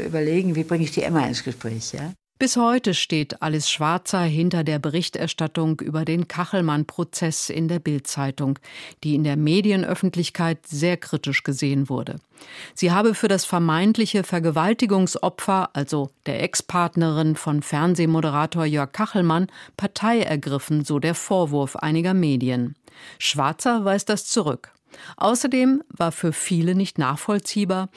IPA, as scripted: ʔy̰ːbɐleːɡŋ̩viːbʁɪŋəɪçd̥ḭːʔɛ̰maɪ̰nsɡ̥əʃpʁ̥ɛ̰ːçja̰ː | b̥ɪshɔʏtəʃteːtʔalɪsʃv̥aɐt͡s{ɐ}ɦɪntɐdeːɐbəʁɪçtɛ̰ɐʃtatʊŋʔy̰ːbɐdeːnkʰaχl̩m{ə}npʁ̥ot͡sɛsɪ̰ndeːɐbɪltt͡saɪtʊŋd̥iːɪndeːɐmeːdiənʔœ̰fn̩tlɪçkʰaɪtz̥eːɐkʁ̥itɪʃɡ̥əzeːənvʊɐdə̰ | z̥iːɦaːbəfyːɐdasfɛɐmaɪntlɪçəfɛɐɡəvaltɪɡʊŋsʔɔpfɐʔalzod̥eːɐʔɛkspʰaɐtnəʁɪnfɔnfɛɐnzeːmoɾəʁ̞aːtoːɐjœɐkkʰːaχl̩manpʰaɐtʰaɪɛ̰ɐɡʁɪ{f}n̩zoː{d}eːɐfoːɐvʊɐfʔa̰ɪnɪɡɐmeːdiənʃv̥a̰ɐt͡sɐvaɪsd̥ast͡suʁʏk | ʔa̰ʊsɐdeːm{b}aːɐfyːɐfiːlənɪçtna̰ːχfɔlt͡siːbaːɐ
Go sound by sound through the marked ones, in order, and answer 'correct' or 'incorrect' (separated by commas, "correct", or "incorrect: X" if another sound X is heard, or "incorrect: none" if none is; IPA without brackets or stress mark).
correct, incorrect: a, correct, correct, incorrect: v